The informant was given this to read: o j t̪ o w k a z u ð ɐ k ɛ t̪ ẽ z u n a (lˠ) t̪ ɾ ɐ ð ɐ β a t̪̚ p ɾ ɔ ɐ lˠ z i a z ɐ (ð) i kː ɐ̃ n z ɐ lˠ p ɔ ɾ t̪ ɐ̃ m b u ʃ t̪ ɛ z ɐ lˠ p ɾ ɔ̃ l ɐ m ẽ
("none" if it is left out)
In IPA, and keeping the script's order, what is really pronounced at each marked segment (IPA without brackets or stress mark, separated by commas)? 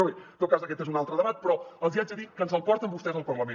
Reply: lˠ, ð